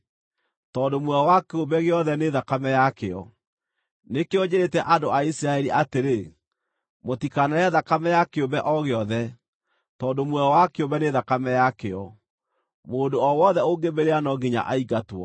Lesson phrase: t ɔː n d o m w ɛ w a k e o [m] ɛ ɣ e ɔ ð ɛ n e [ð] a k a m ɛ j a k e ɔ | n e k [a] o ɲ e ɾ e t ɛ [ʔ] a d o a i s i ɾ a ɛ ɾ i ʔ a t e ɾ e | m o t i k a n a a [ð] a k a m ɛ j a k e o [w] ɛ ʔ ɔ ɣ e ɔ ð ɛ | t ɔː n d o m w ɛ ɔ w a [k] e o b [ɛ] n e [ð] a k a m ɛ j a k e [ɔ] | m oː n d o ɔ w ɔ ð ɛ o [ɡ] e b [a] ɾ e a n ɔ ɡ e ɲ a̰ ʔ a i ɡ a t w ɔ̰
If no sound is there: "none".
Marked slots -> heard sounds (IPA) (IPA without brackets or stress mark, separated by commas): b, ð, e, ʔ, ð, b, k, ɛ, ð, ɔ, ɡ, e